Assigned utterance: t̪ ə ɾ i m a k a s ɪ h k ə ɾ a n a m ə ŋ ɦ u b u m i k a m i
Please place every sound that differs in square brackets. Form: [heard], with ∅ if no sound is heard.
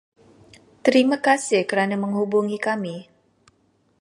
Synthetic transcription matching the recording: t̪ ə ɾ i m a k a s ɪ h k ə ɾ a n a m ə ŋ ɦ u b u [ŋ] i k a m i